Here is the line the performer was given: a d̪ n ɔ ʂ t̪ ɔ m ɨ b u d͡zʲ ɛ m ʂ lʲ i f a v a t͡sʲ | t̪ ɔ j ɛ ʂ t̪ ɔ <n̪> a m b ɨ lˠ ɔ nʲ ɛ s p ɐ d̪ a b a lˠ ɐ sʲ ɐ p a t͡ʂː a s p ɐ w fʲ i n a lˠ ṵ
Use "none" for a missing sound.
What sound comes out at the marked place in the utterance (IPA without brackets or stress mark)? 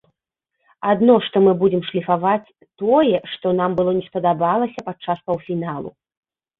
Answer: n̪